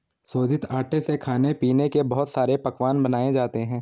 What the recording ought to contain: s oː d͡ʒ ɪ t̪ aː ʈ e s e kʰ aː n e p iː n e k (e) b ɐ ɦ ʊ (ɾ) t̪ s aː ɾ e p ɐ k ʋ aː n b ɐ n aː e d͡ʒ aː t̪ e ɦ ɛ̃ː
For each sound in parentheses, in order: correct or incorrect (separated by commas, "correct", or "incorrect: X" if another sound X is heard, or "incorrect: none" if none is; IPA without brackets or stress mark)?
correct, incorrect: none